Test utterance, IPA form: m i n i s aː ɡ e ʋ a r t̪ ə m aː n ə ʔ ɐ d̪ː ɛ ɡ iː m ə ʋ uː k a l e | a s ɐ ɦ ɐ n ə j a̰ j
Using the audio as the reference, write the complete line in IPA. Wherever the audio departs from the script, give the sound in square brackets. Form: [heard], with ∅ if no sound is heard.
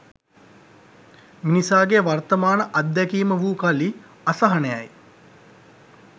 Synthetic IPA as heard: m i n i s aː ɡ e ʋ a r t̪ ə m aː n ə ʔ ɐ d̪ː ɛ [k] iː m ə ʋ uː k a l [i] | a s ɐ ɦ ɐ n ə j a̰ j